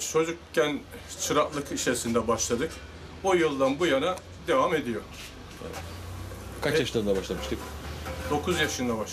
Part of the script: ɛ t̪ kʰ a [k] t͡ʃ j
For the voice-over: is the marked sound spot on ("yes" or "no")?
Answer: no